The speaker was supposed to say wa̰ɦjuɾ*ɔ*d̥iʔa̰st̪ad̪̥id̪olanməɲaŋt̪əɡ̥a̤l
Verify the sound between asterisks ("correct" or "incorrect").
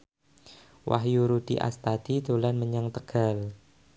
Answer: incorrect